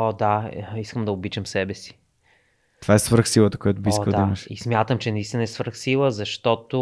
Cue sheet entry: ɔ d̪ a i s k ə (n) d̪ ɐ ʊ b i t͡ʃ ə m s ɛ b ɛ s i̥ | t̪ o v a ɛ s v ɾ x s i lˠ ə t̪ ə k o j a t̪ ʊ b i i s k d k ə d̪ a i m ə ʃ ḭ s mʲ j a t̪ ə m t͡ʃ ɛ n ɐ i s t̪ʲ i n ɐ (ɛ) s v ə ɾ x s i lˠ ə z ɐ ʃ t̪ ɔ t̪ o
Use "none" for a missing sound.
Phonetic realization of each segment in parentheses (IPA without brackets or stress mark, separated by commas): m, ɛ